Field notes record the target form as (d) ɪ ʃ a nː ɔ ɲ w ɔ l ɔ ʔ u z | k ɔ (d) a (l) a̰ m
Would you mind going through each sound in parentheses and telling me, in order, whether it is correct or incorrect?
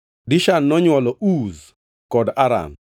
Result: correct, correct, incorrect: ɾ

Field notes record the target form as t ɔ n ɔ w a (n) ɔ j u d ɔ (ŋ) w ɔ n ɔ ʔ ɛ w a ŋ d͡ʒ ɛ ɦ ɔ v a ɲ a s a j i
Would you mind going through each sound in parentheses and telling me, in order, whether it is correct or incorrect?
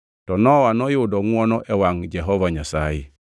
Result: correct, correct

